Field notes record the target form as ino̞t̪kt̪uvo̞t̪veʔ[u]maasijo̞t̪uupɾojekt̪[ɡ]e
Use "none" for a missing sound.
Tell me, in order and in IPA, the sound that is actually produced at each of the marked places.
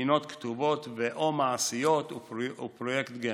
o, ɡ

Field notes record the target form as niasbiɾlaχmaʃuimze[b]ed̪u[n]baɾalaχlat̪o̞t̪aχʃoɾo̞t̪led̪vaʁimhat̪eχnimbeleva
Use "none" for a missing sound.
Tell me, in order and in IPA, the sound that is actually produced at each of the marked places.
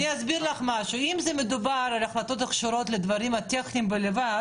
m, none

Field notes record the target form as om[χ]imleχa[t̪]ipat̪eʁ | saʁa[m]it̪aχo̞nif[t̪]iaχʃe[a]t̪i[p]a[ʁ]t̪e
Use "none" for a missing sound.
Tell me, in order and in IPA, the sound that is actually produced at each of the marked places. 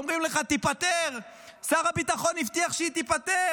ʁ, t̪, b, t̪, i, p, none

